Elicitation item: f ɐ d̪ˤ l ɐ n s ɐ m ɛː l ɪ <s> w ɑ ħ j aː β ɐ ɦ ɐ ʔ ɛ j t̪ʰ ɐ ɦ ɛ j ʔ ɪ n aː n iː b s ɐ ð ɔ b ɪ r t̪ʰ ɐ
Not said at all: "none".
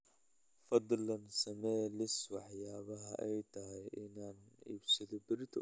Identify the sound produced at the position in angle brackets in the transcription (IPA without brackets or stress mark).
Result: s